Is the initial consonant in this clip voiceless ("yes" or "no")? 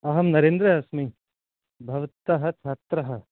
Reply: no